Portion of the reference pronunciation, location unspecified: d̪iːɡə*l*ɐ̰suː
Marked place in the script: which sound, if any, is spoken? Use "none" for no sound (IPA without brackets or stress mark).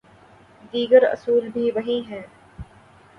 ɾ